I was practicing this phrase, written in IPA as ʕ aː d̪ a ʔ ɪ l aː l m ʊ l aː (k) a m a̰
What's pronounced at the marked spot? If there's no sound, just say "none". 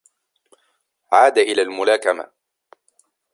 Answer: k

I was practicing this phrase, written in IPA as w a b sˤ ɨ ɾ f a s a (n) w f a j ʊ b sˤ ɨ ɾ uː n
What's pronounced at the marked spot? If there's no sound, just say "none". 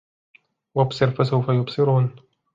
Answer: none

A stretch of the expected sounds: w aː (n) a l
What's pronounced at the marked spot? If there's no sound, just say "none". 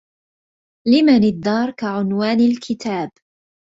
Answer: n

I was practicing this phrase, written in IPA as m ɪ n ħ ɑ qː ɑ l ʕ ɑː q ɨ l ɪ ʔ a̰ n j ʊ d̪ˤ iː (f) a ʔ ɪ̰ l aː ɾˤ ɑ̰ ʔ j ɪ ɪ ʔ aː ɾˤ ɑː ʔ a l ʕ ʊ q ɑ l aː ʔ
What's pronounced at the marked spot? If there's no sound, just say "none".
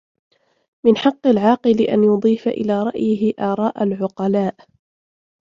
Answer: f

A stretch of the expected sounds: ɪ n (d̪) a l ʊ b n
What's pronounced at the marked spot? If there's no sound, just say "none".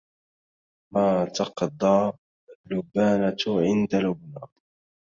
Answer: d̪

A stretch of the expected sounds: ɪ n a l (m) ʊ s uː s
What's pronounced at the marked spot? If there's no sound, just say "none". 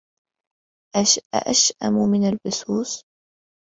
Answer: b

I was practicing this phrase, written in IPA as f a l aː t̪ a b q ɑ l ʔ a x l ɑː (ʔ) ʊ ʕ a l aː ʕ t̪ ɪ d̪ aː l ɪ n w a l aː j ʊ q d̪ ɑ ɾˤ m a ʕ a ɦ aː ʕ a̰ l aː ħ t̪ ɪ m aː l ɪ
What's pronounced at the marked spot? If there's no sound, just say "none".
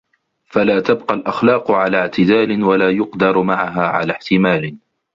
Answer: q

